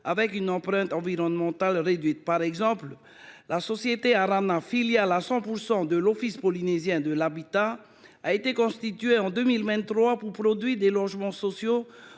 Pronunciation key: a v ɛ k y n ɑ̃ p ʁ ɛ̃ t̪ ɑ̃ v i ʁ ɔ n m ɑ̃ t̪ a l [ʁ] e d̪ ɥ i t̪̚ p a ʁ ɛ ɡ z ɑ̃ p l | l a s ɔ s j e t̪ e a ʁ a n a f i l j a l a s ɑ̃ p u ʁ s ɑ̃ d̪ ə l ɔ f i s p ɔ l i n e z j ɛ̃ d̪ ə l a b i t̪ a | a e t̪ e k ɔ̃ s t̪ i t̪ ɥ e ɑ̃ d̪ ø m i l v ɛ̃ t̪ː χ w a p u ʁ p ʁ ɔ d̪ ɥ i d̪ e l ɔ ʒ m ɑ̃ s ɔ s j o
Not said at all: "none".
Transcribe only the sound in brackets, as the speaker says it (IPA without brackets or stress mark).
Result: ʁ